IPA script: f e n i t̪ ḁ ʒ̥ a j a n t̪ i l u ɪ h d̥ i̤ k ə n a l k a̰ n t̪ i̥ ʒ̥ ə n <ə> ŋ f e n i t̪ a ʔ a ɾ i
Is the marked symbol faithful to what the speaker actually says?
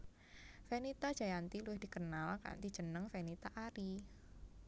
yes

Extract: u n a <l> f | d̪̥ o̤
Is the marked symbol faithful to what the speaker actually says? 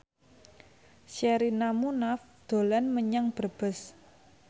no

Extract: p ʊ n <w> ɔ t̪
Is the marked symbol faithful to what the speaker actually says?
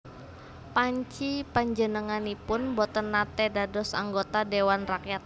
no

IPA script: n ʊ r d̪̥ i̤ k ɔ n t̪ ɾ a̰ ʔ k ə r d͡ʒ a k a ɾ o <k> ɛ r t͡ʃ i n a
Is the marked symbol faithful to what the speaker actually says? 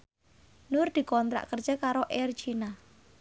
no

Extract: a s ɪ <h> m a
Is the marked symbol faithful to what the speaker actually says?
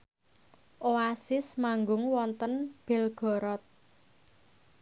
no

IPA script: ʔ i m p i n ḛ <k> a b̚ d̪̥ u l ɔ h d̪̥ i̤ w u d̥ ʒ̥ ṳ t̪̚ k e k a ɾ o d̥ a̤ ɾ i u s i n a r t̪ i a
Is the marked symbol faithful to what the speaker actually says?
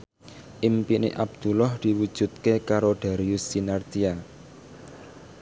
no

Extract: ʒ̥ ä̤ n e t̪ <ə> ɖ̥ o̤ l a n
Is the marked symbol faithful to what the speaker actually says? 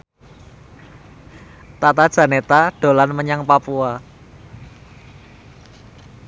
no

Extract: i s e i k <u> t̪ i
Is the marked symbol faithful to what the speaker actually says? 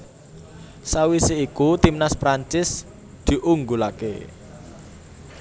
yes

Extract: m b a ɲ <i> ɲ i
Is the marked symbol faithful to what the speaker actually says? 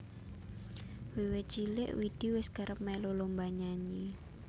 no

